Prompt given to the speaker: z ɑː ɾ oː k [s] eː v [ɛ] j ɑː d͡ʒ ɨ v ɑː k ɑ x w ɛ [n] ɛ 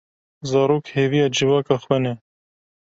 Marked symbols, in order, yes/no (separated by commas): no, no, yes